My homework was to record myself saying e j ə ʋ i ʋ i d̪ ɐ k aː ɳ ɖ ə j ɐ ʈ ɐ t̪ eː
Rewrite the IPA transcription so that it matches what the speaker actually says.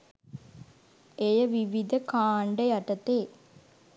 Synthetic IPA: e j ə ʋ i ʋ i d̪ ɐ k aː ɳ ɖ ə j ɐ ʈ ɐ t̪ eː